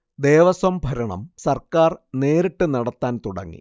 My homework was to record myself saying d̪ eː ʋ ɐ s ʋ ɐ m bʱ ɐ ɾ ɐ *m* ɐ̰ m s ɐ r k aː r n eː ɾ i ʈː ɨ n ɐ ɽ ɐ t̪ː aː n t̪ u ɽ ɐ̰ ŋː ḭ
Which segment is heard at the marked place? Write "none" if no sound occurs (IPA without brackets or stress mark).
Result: ɳ